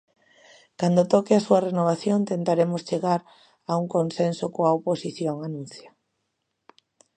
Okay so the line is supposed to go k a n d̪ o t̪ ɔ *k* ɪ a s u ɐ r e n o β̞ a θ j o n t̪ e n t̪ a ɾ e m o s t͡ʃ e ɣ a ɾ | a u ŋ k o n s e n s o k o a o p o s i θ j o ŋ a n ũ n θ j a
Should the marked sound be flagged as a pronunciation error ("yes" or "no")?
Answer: no